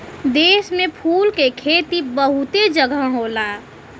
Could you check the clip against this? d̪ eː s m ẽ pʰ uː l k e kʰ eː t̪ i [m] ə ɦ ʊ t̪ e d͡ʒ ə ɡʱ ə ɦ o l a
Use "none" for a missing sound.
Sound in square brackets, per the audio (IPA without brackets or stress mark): b